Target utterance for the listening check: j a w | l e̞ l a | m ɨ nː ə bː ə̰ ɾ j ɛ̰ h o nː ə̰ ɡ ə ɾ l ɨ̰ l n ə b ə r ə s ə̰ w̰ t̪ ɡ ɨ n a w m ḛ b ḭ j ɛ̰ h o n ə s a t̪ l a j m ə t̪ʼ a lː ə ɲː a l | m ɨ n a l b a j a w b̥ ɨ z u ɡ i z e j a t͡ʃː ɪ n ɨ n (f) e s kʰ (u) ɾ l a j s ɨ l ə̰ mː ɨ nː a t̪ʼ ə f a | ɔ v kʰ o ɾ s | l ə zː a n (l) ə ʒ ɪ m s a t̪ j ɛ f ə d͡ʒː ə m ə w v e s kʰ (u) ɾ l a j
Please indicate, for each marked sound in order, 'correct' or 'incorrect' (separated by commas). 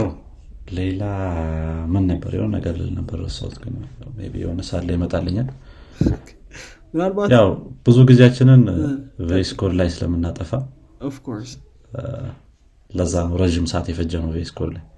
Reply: incorrect, incorrect, incorrect, incorrect